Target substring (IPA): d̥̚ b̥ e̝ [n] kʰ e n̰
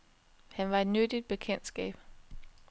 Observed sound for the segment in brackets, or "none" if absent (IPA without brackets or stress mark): none